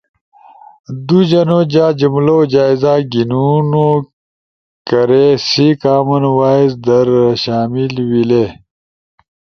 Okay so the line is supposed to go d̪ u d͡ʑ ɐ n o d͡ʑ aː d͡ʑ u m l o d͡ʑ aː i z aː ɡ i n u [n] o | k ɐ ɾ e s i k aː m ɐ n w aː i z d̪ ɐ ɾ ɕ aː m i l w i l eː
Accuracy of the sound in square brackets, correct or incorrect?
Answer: correct